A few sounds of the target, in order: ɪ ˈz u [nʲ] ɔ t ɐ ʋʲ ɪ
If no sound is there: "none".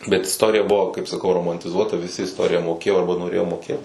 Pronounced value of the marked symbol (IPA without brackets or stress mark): none